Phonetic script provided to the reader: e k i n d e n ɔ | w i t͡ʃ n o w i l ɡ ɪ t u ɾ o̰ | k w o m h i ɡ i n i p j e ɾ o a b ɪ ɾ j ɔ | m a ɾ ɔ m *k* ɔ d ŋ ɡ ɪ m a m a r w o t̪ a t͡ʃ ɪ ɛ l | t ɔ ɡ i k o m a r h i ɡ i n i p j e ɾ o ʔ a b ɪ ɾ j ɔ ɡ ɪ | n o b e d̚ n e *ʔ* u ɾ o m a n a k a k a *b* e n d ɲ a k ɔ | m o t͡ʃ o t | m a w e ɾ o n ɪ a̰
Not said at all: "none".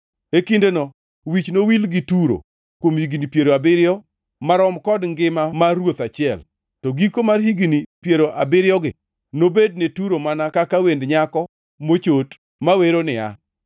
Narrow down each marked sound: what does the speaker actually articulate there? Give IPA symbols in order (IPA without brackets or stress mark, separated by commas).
k, t, w